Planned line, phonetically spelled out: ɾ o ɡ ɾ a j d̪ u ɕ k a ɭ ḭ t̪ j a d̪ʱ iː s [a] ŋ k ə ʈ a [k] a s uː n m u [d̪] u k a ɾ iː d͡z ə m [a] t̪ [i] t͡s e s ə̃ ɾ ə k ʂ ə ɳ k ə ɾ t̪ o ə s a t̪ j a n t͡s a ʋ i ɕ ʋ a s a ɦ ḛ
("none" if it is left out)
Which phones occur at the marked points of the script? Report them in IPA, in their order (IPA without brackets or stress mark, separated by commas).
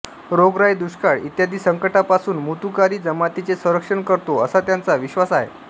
ə, p, t̪, a, i